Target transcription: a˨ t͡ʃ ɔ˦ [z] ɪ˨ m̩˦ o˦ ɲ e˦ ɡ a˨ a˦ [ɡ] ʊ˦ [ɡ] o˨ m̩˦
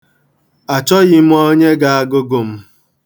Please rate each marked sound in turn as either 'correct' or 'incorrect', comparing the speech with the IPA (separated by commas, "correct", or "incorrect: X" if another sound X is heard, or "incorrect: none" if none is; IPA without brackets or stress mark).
incorrect: ɣ, correct, correct